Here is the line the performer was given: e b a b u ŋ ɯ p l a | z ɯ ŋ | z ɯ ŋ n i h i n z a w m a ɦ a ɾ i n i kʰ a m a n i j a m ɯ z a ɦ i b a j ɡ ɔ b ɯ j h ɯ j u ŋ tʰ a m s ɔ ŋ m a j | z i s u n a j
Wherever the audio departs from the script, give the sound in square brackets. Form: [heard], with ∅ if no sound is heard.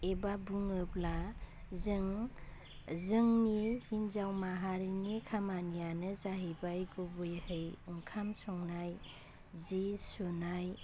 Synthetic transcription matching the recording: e b a b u ŋ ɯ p l a | z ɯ ŋ | z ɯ ŋ n i h i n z a w m a ɦ a ɾ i n i kʰ a m a n i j a [n] ɯ z a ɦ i b a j ɡ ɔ b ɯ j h ɯ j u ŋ [kʰ] a m s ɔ ŋ [n] a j | z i s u n a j